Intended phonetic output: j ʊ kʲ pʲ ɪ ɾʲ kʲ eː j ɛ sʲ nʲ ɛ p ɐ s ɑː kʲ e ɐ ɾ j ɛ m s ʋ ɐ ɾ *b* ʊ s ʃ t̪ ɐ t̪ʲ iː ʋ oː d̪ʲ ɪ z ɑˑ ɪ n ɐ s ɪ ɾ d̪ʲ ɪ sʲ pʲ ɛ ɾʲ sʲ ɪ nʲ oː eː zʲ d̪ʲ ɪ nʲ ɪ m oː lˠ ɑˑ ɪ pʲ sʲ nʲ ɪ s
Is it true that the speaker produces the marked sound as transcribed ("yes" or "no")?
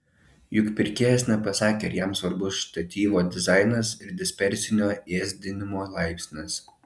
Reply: yes